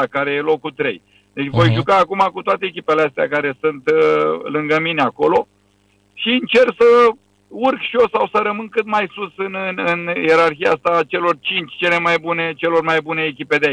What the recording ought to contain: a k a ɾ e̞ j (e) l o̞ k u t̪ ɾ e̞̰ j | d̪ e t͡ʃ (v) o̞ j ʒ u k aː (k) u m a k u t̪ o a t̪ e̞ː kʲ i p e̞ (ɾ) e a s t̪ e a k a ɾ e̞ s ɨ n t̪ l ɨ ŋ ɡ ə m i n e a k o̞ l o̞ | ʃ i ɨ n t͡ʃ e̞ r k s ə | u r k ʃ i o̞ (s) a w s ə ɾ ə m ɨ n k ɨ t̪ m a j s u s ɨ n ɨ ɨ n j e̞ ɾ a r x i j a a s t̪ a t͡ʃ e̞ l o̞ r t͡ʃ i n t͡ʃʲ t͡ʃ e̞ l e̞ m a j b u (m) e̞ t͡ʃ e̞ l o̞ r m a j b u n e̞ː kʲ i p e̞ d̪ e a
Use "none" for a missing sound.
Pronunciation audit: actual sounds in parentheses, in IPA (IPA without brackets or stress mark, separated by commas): e, v, k, l, s, n